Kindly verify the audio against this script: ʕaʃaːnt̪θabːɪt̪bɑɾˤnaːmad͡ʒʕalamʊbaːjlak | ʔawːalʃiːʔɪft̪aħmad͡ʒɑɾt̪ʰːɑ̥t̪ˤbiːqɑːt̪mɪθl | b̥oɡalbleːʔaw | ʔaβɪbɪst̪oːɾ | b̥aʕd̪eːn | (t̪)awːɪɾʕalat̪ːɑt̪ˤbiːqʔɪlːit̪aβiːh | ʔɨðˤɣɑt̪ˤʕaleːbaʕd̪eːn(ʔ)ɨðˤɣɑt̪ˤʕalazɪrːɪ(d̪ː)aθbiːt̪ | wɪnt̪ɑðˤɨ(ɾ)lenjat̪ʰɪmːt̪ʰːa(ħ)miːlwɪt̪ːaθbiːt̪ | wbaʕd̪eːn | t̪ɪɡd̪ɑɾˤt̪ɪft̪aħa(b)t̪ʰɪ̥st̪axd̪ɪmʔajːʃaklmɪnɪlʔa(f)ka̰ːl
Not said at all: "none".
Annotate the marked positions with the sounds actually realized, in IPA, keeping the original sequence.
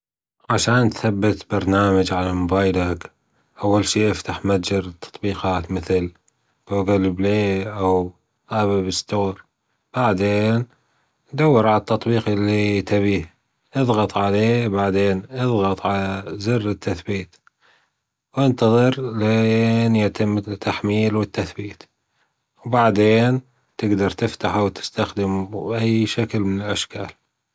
d̪, ʔ, t̪ː, ɾ, ħ, w, ʃ

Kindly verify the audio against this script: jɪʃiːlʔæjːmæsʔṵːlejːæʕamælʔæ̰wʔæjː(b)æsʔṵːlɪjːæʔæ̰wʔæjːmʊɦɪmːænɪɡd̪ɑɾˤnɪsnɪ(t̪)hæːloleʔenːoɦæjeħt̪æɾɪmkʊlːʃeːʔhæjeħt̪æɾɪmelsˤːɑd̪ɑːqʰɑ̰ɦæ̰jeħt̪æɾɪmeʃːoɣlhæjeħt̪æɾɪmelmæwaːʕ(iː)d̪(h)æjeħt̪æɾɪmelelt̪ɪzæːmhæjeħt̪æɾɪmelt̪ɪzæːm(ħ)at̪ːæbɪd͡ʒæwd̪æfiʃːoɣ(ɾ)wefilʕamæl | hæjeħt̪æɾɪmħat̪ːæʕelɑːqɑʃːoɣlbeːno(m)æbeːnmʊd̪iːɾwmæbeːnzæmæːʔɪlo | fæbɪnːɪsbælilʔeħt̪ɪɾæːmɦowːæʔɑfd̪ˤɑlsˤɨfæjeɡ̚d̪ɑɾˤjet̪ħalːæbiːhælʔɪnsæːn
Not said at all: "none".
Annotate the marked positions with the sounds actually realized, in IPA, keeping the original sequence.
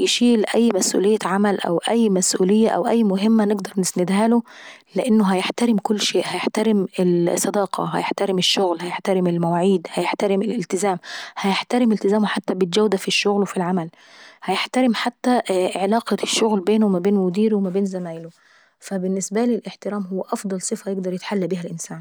m, d̪, iː, h, ħ, l, m

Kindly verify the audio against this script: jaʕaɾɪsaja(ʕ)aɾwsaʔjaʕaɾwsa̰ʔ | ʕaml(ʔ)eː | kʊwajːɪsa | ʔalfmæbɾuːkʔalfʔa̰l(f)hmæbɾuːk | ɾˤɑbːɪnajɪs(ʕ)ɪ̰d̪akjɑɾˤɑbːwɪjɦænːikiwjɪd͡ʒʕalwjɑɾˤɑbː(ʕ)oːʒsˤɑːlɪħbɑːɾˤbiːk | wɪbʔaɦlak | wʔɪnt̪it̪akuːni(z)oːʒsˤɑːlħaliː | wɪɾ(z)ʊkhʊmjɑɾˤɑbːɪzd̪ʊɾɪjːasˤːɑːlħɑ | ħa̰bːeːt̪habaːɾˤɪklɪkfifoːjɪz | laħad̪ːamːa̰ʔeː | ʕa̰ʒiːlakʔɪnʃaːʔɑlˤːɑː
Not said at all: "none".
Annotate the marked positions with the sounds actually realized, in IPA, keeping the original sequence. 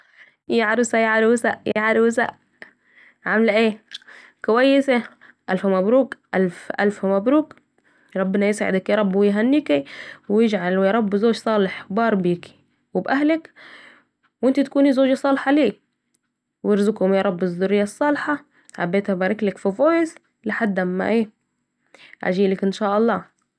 ʕ, ʔ, f, ʕ, z, z, z

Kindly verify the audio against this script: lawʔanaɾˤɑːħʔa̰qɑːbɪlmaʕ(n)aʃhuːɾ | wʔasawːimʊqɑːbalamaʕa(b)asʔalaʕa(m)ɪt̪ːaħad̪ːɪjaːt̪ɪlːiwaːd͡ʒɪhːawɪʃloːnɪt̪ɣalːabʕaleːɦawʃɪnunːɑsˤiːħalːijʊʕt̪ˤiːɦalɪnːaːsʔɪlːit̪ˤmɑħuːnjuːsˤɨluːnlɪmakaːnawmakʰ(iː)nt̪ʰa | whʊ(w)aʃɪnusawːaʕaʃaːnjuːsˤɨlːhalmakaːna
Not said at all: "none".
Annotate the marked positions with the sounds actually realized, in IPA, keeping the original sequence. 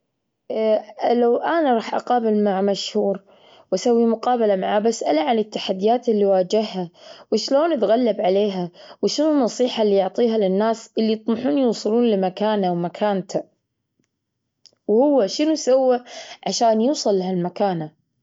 m, b, n, aː, wː

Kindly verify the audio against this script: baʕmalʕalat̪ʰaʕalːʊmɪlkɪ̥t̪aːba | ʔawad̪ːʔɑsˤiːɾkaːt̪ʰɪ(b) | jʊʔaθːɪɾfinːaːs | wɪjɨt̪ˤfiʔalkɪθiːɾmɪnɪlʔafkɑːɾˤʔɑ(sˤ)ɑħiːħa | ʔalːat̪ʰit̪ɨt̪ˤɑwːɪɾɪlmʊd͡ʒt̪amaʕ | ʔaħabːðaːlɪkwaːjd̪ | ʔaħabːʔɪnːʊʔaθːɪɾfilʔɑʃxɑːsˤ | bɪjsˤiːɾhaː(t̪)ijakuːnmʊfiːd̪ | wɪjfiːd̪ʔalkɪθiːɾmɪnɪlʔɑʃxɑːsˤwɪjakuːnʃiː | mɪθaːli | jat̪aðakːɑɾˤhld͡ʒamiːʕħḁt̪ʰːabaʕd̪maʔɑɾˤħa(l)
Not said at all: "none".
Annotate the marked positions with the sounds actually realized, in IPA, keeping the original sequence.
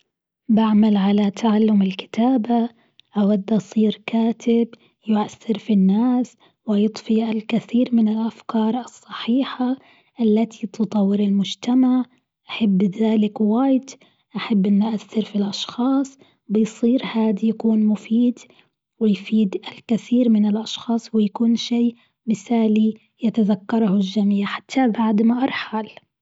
b, sˤː, d̪, l

